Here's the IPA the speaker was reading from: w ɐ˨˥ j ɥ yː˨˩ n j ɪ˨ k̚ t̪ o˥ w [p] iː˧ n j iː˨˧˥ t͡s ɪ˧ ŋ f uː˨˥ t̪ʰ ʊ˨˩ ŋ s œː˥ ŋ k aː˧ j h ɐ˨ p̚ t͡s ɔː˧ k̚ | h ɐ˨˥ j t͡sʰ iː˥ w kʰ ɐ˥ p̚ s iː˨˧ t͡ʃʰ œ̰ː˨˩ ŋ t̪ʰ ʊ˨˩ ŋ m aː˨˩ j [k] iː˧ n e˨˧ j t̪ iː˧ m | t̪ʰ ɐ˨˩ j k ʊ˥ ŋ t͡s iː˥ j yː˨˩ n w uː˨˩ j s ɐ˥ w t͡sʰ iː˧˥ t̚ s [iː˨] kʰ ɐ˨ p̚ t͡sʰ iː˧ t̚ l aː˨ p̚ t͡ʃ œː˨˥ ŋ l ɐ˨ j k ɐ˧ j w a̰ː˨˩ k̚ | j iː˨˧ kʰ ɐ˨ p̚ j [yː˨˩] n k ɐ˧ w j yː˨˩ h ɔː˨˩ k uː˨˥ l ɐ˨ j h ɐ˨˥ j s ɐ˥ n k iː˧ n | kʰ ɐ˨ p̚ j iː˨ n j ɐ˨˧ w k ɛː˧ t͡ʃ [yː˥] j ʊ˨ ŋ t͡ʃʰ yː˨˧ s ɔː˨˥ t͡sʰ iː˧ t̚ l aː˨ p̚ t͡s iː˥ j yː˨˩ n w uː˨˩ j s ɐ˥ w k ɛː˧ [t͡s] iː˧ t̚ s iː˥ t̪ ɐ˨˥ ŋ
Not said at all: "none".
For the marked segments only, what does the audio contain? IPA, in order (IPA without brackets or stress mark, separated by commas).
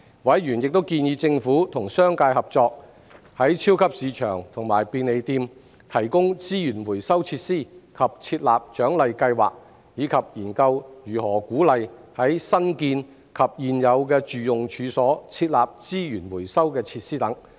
k, p, iː˥˩, iː˨˩, yː˨, t͡sʰ